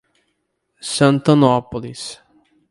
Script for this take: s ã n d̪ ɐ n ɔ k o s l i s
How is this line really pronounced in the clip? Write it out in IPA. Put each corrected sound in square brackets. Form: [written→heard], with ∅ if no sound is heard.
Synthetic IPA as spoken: s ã n [d̪→t̪] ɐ n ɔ [k→p] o [s→∅] l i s